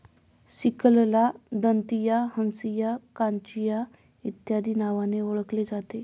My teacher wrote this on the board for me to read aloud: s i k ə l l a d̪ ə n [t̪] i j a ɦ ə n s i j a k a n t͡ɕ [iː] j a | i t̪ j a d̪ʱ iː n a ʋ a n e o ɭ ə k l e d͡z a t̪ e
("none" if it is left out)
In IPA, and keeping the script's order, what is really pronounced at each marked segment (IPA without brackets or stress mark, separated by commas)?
t̪, i